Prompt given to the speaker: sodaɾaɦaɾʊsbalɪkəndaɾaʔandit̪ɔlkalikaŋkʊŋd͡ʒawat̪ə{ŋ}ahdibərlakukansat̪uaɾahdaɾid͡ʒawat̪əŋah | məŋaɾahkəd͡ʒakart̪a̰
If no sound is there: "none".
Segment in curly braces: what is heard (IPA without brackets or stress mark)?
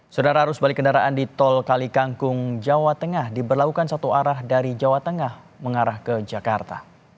ŋ